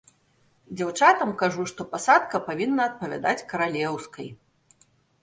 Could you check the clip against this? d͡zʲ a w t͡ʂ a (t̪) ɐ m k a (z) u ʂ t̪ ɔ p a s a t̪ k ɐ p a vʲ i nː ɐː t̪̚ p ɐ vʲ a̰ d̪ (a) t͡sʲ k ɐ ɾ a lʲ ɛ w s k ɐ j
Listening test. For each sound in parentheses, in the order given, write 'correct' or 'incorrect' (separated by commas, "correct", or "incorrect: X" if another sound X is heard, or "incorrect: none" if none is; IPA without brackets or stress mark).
correct, incorrect: ʐ, correct